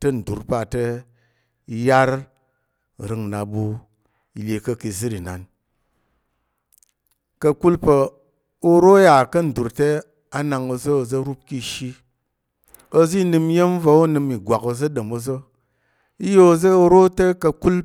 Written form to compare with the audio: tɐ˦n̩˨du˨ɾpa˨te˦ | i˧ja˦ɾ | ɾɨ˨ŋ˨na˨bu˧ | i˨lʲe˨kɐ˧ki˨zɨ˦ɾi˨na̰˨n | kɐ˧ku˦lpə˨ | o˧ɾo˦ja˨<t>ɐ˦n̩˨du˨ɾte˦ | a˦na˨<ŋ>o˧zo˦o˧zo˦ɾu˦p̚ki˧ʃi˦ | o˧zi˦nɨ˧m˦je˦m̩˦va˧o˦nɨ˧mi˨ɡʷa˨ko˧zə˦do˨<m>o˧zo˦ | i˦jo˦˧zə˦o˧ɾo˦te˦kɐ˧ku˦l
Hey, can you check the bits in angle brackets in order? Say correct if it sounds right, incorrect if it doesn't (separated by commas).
incorrect, correct, correct